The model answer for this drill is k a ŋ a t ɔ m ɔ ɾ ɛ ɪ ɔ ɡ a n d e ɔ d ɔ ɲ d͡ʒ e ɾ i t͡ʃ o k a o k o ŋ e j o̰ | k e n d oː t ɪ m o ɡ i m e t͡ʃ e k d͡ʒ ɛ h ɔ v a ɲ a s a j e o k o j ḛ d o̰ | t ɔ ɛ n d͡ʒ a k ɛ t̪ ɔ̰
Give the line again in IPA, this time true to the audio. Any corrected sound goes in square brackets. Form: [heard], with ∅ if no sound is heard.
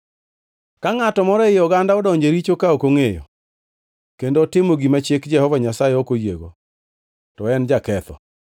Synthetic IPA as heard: k a ŋ a t ɔ m ɔ ɾ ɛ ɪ ɔ ɡ a n d [a] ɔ d ɔ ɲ d͡ʒ e ɾ i t͡ʃ o k a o k o ŋ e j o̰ | k e n d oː t ɪ m o ɡ i m [a] t͡ʃ e k d͡ʒ ɛ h ɔ v a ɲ a s a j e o k o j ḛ [ɡ] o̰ | t ɔ ɛ n d͡ʒ a k ɛ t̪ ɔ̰

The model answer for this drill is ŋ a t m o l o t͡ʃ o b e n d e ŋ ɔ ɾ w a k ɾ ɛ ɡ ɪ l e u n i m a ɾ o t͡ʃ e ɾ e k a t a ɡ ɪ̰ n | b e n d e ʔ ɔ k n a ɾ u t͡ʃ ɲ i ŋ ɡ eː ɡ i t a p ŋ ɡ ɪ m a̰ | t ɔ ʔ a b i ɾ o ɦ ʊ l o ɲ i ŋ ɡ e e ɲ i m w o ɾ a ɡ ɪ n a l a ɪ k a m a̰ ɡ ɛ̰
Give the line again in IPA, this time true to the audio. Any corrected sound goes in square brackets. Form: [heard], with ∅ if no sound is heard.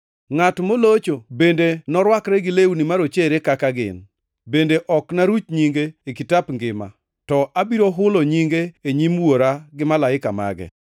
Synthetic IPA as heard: ŋ a t m o l o t͡ʃ o b e n d e [n] ɔ ɾ w a k ɾ ɛ ɡ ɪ l e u n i m a ɾ o t͡ʃ e ɾ e k a [k] a ɡ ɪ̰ n | b e n d e ʔ ɔ k n a ɾ u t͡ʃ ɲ i ŋ ɡ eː [k] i t a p ŋ ɡ ɪ m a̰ | t ɔ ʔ a b i ɾ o ɦ ʊ l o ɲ i ŋ ɡ e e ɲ i m w o ɾ a ɡ ɪ [m] a l a ɪ k a m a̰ ɡ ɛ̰

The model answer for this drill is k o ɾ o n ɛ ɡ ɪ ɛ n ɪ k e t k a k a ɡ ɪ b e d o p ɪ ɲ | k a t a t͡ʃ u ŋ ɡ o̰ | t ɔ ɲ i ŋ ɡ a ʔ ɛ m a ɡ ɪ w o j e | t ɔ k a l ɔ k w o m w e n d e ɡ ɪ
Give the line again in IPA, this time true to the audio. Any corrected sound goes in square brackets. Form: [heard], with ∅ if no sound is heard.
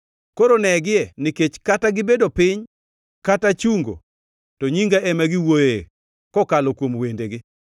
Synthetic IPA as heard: k o ɾ o n ɛ ɡ ɪ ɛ n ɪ k e [t͡ʃ] k a [t] a ɡ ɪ b e d o p ɪ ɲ | k a t a t͡ʃ u ŋ ɡ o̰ | t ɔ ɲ i ŋ ɡ a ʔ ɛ m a ɡ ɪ w o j e | [k] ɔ k a l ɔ k w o m w e n d e ɡ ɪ

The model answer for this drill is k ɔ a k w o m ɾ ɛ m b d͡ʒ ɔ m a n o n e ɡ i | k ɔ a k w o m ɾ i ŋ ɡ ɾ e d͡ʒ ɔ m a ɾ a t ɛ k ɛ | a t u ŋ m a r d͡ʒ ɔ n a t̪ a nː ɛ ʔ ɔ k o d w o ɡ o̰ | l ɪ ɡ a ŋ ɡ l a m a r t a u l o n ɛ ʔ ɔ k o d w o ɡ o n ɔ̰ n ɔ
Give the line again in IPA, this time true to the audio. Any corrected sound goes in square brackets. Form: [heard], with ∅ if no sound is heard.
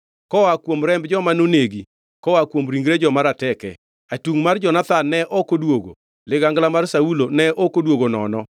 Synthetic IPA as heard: k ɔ a k w o m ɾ ɛ m b d͡ʒ ɔ m a n o n e ɡ i | k ɔ a k w o m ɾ i ŋ ɡ ɾ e d͡ʒ ɔ m a ɾ a t ɛ k ɛ | a t u ŋ m a r d͡ʒ ɔ n a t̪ a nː ɛ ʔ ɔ k o d w o ɡ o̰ | l ɪ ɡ a ŋ ɡ l a m a r [s] a u l o n ɛ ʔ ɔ k o d w o ɡ o n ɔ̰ n ɔ

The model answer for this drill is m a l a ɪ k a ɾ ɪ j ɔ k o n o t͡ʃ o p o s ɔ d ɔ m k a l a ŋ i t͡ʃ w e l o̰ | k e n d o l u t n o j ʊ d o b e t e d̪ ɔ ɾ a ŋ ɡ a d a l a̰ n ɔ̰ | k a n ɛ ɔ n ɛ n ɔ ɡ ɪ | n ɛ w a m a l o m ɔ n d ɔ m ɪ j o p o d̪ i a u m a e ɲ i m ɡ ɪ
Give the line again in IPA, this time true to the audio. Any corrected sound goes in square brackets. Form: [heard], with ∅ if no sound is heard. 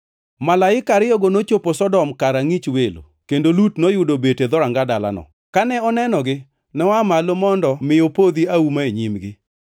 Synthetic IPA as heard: m a l a ɪ k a ɾ ɪ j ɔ [ɡ] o n o t͡ʃ o p o s ɔ d ɔ m k a [ɾ] a ŋ i t͡ʃ w e l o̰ | k e n d o l u t n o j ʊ d o b e t e d̪ ɔ ɾ a ŋ ɡ a d a l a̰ n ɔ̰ | k a n ɛ ɔ n ɛ n ɔ ɡ ɪ | n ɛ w a m a l o m ɔ n d ɔ m ɪ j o p o d̪ i a u m a e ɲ i m ɡ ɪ

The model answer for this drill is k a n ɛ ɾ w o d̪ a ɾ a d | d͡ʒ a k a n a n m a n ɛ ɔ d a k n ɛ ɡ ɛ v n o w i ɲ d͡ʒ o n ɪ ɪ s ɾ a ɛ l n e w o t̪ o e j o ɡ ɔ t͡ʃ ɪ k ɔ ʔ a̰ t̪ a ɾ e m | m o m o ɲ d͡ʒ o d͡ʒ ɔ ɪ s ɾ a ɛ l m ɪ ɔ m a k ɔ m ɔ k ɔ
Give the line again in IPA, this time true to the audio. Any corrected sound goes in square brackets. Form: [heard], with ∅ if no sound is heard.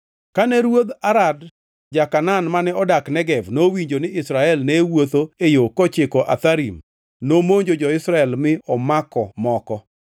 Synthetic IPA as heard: k a n ɛ ɾ w o d̪ a ɾ a d | d͡ʒ a k a n a n m a n ɛ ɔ d a k n ɛ ɡ ɛ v n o w i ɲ d͡ʒ o n ɪ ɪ s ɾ a ɛ l n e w o t̪ o e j o [k] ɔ t͡ʃ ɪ k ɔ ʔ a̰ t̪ a ɾ [i] m | [n] o m o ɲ d͡ʒ o d͡ʒ ɔ ɪ s ɾ a ɛ l m ɪ ɔ m a k ɔ m ɔ k ɔ

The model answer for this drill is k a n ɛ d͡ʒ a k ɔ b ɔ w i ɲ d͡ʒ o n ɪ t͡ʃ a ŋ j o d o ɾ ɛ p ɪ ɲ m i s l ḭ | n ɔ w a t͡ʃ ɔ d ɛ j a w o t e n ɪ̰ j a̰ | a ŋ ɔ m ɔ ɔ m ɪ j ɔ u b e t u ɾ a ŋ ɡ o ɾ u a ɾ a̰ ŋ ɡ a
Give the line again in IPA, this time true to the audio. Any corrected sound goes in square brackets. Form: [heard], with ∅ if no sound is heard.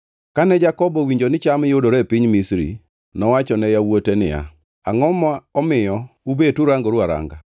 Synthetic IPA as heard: k a n ɛ d͡ʒ a k ɔ b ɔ w i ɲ d͡ʒ o n ɪ t͡ʃ a [m] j o d o ɾ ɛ p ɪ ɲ m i s [ɾ] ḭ | n ɔ w a t͡ʃ ɔ [n] ɛ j a w o t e n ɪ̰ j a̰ | a ŋ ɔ m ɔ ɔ m ɪ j ɔ u b e t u ɾ a ŋ ɡ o ɾ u a ɾ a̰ ŋ ɡ a

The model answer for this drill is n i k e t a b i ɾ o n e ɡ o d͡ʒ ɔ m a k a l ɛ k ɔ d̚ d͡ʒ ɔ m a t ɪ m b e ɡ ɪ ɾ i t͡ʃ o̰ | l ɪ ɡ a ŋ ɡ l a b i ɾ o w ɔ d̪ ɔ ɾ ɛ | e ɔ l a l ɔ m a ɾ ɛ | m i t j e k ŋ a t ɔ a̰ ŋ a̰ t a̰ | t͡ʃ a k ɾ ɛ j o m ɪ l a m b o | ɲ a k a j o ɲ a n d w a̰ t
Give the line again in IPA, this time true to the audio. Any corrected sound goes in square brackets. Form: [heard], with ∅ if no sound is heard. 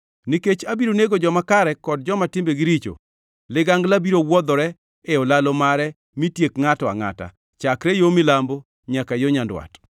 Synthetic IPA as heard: n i k e [t͡ʃ] a b i ɾ o n e ɡ o d͡ʒ ɔ m a k a [ɾ] ɛ k ɔ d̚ d͡ʒ ɔ m a t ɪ m b e ɡ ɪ ɾ i t͡ʃ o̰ | l ɪ ɡ a ŋ ɡ l a b i ɾ o w ɔ d̪ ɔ ɾ ɛ | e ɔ l a l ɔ m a ɾ ɛ | m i t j e k ŋ a t ɔ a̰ ŋ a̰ t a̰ | t͡ʃ a k ɾ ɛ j o m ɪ l a m b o | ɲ a k a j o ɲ a n d w a̰ t

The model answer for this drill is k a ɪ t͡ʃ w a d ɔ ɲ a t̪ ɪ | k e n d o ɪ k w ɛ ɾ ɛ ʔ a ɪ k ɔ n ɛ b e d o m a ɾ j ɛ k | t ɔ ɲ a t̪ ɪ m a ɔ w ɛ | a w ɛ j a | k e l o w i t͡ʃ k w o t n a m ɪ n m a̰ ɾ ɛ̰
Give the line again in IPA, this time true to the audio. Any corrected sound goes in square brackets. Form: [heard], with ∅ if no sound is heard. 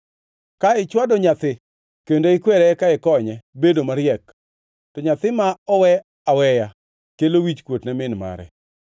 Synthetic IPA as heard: k a ɪ t͡ʃ w a d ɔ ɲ a t̪ ɪ | k e n d o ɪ k w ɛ ɾ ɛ [k] a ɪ k ɔ [ɲ] ɛ b e d o m a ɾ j ɛ k | t ɔ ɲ a t̪ ɪ m a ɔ w ɛ | a w ɛ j a | k e l o w i t͡ʃ k w o t n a m ɪ n m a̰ ɾ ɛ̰

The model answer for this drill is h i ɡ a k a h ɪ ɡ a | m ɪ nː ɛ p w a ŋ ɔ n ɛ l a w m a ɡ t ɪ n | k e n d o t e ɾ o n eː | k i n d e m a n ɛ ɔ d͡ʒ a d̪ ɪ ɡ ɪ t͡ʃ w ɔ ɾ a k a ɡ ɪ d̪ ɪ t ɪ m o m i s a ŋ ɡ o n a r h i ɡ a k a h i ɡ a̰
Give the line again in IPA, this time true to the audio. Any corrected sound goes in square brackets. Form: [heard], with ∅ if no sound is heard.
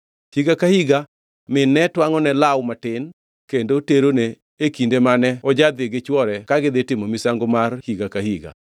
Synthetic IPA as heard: h i ɡ a k a h [i] ɡ a | m ɪ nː ɛ [t] w a ŋ ɔ n ɛ l a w m a [∅] t ɪ n | k e n d o t e ɾ o n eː | k i n d e m a n ɛ ɔ d͡ʒ a d̪ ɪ ɡ ɪ t͡ʃ w ɔ ɾ [ɛ] k a ɡ ɪ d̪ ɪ t ɪ m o m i s a ŋ ɡ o [m] a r h i ɡ a k a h i ɡ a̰

